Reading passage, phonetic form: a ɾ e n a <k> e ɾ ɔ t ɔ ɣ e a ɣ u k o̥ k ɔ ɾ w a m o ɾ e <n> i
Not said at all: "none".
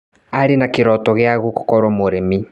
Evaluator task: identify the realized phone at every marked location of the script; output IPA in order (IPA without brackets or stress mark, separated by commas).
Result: k, m